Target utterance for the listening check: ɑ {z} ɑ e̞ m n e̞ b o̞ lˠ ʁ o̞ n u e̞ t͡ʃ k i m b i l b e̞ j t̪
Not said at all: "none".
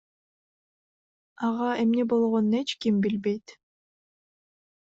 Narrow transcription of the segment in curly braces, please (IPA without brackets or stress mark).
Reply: ʁ